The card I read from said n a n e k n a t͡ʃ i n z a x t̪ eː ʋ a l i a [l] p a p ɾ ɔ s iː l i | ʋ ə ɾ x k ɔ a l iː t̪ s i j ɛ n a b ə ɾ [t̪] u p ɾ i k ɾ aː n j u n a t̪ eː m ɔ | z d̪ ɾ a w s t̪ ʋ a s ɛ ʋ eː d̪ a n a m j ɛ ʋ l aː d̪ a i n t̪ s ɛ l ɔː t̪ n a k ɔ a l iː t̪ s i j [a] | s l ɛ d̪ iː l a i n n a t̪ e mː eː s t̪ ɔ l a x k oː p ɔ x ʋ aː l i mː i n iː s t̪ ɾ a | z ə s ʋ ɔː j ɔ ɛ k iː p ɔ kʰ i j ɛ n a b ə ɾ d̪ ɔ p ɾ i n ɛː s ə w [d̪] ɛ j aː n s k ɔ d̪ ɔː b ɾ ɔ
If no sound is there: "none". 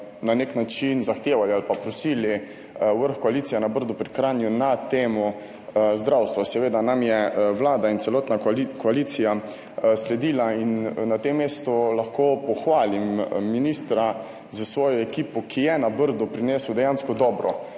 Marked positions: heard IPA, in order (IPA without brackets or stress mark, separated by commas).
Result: l, d̪, a, d̪